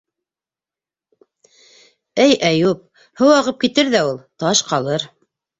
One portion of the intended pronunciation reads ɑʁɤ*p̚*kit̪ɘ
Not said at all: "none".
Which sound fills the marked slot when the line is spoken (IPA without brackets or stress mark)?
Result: p̚